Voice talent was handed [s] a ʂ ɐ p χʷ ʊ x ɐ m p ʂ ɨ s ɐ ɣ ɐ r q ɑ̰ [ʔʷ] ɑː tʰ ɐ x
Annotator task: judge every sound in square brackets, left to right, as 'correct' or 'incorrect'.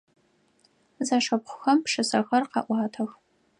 incorrect, correct

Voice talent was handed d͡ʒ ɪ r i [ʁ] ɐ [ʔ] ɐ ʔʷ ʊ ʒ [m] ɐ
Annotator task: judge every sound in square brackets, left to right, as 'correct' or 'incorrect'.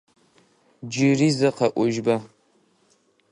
incorrect, incorrect, incorrect

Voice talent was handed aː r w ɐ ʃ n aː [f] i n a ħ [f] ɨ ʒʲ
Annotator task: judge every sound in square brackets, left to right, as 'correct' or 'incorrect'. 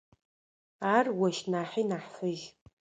incorrect, correct

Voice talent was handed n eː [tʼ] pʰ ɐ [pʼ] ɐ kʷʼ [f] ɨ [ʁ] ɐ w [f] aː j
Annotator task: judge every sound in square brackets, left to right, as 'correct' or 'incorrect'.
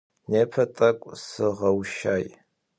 incorrect, incorrect, incorrect, correct, incorrect

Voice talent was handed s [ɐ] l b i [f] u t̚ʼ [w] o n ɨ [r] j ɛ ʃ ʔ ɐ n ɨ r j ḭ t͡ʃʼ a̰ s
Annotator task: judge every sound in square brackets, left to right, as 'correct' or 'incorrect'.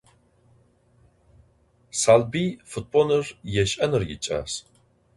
incorrect, correct, incorrect, correct

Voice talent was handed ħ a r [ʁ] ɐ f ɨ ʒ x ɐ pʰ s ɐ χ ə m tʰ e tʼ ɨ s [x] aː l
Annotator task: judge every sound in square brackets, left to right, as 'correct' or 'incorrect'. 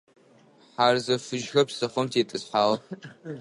incorrect, incorrect

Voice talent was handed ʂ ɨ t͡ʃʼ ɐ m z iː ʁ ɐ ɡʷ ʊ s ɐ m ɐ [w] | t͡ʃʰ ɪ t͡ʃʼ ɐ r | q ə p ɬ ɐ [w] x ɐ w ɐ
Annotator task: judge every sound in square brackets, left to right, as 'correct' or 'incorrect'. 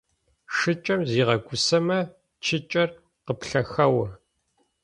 incorrect, incorrect

